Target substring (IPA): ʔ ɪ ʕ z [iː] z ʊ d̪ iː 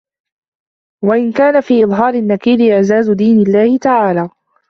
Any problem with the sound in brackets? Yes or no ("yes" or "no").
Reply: yes